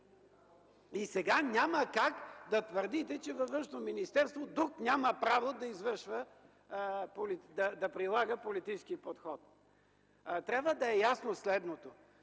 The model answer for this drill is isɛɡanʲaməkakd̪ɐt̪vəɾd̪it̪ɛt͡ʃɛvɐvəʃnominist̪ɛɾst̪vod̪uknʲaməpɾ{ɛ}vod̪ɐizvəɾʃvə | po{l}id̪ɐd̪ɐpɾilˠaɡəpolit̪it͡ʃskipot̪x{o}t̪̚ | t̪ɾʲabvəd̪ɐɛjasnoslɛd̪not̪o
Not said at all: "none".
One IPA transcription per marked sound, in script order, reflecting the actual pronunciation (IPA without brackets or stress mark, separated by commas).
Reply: a, l, ɔ